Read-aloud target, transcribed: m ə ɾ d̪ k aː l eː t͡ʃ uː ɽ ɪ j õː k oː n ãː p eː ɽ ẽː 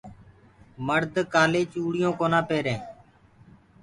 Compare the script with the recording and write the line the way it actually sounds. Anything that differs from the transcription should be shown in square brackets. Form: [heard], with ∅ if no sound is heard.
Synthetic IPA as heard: m ə ɾ d̪ k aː l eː t͡ʃ uː ɽ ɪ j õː k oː n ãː p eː [ɾ] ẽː

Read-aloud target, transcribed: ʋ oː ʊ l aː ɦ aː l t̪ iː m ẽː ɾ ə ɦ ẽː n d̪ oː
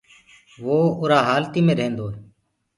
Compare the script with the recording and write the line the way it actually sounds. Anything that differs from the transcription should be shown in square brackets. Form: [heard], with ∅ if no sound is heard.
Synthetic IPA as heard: ʋ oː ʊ [ɾ] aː ɦ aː l t̪ iː m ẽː ɾ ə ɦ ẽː n d̪ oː

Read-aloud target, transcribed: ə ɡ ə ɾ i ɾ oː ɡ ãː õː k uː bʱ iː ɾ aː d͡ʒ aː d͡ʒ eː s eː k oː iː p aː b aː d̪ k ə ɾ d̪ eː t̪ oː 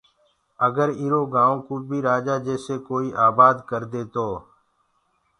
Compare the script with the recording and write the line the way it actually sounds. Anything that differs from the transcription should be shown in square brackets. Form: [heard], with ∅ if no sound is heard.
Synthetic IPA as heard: ə ɡ ə ɾ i ɾ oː ɡ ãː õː k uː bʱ iː ɾ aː d͡ʒ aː d͡ʒ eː s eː k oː iː [ʔ] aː b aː d̪ k ə ɾ d̪ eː t̪ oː

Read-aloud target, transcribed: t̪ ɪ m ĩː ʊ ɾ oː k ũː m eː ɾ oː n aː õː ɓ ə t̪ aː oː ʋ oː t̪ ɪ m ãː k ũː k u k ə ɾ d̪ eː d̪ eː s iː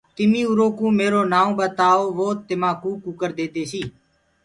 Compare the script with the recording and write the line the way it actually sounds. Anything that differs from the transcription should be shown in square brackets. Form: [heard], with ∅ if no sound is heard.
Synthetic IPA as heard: t̪ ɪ m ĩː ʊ ɾ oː k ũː m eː ɾ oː n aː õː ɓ ə t̪ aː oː ʋ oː t̪ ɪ m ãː k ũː k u k ə ɾ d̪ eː d̪ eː s iː

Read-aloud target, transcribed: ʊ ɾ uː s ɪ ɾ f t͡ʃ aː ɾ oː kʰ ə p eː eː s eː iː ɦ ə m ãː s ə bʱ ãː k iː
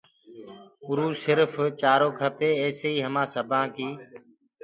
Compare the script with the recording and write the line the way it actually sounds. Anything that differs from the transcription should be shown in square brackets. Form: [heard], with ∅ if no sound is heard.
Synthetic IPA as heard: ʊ ɾ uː s ɪ ɾ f t͡ʃ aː ɾ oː kʰ ə p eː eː s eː iː ɦ ə m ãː s ə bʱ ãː k iː

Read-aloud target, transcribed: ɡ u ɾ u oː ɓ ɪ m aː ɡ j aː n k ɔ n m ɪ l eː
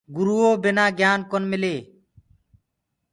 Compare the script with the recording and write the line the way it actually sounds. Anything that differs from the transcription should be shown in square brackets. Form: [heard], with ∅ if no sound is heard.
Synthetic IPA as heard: ɡ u ɾ u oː [b] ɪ [n] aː ɡ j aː n k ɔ n m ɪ l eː

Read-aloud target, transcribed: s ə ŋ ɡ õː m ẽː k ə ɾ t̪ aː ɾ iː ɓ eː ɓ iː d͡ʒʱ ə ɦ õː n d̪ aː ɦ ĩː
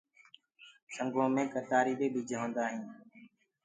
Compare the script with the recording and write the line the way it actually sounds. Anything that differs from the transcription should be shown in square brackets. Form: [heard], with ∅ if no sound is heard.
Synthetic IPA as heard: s ə ŋ ɡ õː m ẽː k ə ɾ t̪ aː ɾ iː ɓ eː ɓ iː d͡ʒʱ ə ɦ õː n d̪ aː ɦ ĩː

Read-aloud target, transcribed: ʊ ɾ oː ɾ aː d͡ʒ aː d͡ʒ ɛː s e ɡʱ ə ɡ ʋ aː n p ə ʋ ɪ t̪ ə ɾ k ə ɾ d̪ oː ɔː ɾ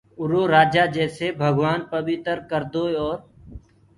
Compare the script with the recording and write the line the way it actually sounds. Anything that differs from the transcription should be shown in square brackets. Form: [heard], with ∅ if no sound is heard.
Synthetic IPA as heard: ʊ ɾ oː ɾ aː d͡ʒ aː d͡ʒ ɛː s e [bʱ] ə ɡ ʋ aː n p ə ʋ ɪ t̪ ə ɾ k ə ɾ d̪ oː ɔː ɾ

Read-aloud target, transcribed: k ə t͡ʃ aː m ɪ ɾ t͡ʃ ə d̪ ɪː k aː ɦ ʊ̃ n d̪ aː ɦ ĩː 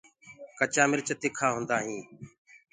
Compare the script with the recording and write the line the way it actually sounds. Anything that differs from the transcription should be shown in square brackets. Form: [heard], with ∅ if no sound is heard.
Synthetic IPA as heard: k ə t͡ʃ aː m ɪ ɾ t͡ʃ ə [t̪] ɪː [kʰ] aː ɦ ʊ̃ n d̪ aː ɦ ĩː

